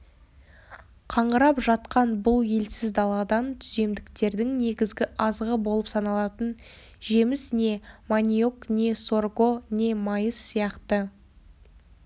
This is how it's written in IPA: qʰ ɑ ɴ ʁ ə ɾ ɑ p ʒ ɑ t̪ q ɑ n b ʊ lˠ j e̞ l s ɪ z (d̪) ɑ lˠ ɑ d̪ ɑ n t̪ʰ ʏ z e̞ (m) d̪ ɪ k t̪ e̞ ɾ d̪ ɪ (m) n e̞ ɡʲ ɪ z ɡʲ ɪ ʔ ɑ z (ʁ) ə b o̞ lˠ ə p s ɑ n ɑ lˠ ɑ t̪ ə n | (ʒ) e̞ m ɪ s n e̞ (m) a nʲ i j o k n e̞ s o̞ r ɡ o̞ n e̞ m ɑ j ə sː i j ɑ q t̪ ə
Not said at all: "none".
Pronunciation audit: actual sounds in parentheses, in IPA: d̪, m, ŋ, ʁ, ʒ, m

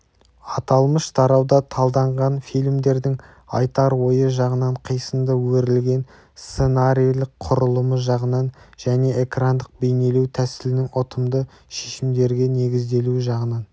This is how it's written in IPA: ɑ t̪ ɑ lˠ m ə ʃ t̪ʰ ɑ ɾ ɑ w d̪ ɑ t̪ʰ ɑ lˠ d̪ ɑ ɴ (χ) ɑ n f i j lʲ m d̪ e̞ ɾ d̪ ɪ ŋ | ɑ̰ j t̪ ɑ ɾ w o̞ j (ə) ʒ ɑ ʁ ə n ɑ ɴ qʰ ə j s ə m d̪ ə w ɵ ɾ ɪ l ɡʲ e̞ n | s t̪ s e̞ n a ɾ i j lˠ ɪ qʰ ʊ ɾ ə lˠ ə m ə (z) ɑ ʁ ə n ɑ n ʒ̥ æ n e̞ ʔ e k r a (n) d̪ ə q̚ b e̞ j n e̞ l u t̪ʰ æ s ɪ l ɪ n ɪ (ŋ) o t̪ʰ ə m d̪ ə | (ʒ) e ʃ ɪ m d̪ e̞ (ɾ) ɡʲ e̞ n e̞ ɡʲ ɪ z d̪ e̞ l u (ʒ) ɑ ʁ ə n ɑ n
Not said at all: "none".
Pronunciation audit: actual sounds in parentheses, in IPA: ʁ, ə, ʒ, n, ŋ, ʃ, ɾ, ʒ

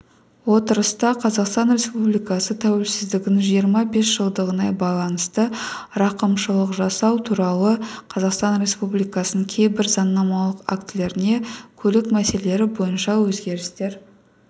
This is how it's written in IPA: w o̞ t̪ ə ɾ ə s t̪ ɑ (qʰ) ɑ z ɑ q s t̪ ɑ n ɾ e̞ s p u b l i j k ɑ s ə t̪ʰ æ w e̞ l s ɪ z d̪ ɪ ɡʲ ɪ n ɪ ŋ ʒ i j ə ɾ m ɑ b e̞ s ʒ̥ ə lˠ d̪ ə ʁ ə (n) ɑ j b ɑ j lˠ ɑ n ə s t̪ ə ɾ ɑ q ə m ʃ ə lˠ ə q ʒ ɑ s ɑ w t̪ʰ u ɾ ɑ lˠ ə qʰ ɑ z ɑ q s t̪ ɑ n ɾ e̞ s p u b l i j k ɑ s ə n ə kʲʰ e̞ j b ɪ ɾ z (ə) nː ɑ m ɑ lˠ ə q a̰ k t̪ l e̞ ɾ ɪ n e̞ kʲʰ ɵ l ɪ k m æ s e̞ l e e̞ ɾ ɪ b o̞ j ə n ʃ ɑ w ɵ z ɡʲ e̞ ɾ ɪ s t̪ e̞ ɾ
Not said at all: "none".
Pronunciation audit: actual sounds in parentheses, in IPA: qʰ, n, ɑ

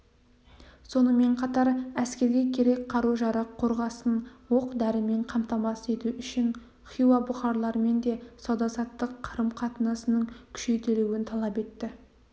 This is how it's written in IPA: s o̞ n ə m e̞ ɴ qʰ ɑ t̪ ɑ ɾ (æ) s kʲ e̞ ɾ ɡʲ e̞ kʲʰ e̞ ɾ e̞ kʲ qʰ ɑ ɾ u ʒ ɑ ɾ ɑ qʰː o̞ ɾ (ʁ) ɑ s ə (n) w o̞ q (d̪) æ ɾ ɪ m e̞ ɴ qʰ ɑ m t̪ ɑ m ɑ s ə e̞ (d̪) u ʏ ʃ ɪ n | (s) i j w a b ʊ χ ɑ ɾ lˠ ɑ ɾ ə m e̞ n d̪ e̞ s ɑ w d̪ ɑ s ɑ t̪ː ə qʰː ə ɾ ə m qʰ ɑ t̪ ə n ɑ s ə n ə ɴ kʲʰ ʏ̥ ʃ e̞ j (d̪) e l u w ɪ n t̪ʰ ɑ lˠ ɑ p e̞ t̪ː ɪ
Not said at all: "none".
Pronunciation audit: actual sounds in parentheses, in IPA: æ, ʁ, n, d̪, t̪, χ, t̪

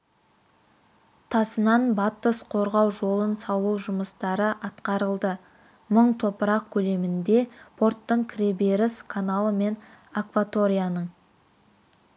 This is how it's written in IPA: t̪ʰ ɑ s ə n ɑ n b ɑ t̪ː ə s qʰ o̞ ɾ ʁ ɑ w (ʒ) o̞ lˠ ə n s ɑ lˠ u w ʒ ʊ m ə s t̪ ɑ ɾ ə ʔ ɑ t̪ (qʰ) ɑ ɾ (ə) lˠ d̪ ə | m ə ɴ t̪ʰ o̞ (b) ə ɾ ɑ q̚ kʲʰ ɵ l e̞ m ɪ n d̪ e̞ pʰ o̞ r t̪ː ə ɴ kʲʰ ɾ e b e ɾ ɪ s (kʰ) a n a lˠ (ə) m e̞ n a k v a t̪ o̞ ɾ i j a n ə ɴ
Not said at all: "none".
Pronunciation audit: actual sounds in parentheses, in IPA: ʒ, q, ə, p, kʰ, ə

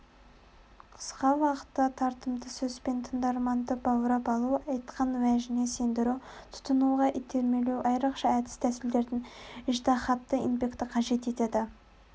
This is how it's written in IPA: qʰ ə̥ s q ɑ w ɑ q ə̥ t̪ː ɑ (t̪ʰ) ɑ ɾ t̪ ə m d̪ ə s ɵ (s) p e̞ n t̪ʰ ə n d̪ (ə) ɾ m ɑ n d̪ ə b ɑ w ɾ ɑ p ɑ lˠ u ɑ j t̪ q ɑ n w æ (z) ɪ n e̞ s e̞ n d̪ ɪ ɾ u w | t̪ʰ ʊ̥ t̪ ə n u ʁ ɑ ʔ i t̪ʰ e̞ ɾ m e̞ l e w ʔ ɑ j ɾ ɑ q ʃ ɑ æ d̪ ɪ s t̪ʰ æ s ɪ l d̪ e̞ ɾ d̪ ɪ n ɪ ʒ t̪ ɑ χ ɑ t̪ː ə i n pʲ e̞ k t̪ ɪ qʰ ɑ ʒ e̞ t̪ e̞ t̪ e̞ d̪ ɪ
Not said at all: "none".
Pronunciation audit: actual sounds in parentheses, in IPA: t̪ʰ, z, ɑ, ʒ

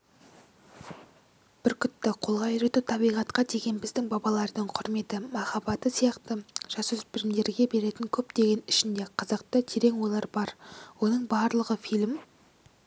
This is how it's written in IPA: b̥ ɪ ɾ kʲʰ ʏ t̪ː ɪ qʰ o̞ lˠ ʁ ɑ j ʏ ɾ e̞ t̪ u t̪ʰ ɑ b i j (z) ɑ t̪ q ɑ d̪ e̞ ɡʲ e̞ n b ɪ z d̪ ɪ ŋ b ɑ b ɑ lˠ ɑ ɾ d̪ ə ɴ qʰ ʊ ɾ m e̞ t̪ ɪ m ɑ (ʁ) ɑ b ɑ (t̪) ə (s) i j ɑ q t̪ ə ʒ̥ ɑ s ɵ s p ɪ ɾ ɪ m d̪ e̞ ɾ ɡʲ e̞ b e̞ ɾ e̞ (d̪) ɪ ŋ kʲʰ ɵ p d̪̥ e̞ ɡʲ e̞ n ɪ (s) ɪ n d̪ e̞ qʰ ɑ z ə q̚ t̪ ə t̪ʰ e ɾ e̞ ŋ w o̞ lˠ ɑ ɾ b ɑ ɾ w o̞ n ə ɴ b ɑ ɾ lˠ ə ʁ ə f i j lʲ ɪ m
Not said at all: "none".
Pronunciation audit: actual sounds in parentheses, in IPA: ʁ, χ, t̪, s, t̪, ʃ

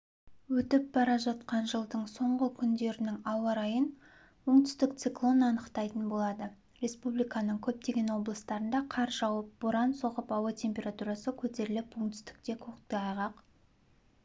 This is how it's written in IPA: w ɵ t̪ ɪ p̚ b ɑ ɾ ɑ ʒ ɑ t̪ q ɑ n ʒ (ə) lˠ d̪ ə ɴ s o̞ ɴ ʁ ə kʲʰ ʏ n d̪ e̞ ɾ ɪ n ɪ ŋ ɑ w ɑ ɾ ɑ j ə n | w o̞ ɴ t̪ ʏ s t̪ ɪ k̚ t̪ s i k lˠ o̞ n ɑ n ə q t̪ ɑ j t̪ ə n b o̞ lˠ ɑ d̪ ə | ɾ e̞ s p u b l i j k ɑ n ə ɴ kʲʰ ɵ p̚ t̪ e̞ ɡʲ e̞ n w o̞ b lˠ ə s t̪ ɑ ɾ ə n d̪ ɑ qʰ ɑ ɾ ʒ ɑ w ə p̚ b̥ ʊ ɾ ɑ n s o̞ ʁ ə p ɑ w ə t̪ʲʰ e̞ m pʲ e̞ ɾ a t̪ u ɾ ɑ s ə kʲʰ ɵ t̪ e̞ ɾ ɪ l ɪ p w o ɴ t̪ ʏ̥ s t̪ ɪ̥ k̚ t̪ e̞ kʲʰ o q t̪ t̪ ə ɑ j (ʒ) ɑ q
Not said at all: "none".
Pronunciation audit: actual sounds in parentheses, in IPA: ə, ʁ

